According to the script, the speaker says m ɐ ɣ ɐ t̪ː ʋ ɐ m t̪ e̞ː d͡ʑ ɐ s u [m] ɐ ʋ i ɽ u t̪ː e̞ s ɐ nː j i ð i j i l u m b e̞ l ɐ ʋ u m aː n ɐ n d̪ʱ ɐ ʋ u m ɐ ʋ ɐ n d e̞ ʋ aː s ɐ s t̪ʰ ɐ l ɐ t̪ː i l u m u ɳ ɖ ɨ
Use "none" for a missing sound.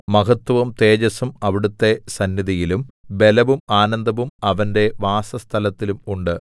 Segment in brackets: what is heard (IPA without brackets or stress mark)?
m